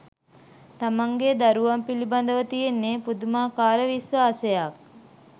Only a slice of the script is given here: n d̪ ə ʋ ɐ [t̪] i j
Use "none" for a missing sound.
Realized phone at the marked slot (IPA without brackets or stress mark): t̪